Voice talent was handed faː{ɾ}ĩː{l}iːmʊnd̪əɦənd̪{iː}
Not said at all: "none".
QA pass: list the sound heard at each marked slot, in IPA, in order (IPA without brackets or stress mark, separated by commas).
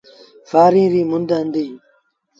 ɾ, ɾ, iː